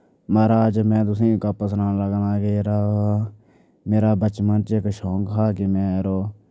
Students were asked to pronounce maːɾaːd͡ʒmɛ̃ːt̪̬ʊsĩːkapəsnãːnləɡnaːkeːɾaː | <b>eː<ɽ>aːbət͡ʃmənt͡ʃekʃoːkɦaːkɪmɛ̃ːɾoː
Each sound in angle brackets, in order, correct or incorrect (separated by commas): incorrect, incorrect